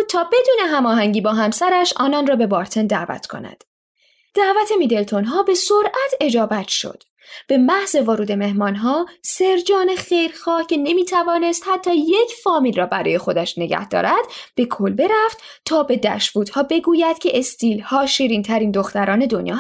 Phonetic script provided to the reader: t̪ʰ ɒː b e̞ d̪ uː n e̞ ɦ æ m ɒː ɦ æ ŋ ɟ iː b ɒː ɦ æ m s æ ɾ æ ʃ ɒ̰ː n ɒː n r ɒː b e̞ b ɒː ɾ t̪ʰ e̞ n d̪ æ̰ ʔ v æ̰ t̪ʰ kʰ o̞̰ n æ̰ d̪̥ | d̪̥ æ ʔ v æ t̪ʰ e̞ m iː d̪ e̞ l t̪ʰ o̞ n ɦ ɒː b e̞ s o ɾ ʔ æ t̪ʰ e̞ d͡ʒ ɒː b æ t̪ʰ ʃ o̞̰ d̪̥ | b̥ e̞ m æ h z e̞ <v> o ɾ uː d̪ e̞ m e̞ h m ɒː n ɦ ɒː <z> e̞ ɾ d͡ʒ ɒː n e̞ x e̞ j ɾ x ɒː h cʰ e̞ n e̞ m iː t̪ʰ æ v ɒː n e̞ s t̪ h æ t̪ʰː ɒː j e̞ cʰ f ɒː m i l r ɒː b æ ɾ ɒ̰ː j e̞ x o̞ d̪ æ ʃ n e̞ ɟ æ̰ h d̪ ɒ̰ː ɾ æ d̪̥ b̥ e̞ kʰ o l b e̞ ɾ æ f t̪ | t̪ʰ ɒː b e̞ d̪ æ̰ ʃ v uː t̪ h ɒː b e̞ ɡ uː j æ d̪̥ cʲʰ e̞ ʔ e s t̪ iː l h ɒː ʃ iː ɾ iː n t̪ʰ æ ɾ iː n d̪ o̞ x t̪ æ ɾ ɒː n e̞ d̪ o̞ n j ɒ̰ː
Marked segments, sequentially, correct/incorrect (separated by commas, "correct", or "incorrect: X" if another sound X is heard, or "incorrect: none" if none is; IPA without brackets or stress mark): correct, incorrect: s